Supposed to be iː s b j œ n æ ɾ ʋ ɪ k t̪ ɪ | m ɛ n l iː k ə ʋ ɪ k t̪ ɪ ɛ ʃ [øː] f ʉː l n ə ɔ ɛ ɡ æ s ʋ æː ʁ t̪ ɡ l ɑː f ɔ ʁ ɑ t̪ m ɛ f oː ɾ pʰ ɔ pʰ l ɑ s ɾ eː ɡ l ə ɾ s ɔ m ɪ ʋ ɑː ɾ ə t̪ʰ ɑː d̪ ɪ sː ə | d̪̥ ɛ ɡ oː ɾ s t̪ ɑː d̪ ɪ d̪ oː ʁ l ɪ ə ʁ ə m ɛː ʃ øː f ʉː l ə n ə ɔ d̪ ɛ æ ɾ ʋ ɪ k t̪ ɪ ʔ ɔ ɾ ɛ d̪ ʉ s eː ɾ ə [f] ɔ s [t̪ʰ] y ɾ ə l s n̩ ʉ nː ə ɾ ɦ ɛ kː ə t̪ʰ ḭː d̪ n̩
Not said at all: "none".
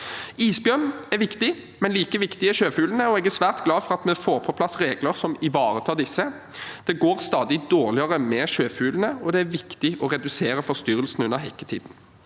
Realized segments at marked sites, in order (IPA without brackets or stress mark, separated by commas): øː, f, t̪